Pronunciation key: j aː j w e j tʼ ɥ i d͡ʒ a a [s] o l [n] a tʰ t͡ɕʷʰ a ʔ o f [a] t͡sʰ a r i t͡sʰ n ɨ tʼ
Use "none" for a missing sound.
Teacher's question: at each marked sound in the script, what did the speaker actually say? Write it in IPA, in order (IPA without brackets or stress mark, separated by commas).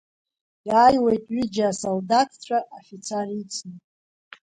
s, d, i